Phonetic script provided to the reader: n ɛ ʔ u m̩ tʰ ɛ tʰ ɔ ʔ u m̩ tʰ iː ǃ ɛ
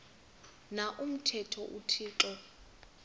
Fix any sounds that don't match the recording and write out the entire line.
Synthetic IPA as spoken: n a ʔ u m̩ tʰ ɛ tʰ ɔ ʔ u tʰ iː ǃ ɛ